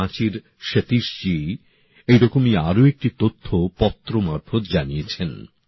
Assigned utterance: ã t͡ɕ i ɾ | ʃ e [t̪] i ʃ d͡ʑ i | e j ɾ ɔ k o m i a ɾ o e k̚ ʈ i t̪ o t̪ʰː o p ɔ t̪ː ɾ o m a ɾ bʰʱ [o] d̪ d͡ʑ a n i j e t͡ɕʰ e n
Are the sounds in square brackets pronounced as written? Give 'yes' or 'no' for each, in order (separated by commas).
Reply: yes, yes